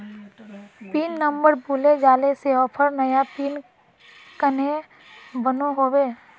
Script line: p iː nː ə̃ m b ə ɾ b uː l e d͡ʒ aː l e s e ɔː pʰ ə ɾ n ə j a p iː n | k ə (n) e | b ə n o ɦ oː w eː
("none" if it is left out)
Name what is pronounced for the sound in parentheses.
n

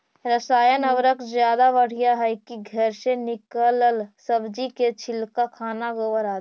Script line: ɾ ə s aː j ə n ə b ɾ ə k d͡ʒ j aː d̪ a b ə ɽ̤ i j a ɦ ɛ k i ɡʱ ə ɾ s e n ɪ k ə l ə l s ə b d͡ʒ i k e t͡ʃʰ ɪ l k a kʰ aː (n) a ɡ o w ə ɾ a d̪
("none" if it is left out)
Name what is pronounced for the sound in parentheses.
n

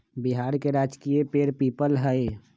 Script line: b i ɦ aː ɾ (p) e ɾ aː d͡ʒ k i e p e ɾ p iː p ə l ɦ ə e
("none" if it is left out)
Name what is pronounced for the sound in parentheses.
k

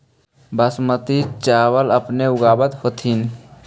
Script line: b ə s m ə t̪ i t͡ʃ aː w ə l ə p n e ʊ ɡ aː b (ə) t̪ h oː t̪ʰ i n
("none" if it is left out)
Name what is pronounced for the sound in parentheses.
ə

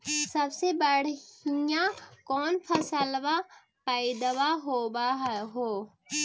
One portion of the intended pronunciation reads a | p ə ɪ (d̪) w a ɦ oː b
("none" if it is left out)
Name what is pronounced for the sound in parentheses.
d̪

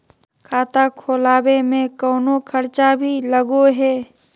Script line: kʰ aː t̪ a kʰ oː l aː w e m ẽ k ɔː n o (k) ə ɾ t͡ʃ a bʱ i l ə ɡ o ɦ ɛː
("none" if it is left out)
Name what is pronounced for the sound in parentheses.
kʰ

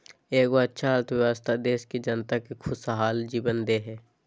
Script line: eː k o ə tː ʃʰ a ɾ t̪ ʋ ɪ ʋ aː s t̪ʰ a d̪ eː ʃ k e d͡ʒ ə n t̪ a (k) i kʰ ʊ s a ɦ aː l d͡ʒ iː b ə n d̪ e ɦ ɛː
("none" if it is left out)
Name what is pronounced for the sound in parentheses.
k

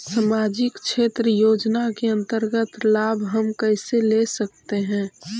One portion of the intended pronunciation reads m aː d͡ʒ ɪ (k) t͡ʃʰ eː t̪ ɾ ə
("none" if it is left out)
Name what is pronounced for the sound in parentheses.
k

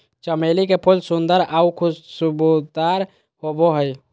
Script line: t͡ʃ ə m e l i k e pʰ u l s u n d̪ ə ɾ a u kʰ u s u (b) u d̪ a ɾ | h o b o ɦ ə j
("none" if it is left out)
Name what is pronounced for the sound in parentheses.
b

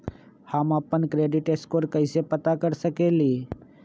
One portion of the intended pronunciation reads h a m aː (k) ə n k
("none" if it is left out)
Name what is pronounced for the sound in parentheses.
p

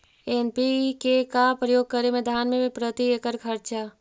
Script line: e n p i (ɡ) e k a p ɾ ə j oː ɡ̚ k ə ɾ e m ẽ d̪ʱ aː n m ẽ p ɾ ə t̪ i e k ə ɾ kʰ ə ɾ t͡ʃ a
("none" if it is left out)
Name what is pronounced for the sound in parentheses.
k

